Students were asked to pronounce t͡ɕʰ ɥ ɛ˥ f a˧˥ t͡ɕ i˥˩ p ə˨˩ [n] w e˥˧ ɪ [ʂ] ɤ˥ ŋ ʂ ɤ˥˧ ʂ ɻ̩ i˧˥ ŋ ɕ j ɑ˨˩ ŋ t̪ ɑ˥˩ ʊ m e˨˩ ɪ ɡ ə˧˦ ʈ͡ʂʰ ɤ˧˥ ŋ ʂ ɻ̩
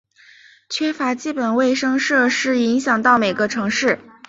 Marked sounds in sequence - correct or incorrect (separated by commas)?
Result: correct, correct